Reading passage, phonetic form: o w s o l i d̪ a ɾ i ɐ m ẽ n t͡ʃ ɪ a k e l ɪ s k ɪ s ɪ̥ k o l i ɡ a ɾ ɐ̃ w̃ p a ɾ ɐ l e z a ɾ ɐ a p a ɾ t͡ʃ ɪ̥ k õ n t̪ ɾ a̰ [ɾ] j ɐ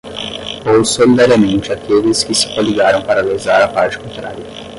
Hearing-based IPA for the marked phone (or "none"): ɾ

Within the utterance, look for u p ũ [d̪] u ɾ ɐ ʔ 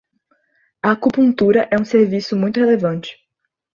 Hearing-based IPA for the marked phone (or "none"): t̪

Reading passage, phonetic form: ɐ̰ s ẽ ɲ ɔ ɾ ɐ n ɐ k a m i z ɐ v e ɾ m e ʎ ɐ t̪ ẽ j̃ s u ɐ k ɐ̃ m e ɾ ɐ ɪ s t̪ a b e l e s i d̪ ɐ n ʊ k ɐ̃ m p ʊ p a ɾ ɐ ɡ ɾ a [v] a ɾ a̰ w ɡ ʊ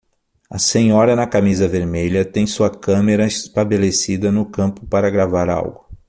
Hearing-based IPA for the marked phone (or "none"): v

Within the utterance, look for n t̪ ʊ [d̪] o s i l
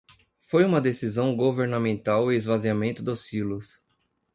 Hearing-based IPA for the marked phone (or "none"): d̪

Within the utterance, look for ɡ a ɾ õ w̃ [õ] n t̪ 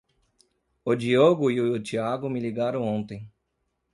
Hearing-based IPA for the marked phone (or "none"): õ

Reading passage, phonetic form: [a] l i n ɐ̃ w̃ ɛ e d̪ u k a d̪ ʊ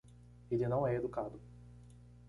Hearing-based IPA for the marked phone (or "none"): e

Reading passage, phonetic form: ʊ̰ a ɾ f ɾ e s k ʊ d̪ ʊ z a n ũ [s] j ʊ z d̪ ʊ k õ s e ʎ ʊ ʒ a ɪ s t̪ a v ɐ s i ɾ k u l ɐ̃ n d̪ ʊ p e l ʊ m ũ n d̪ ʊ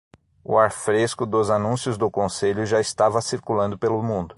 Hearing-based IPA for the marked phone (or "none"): s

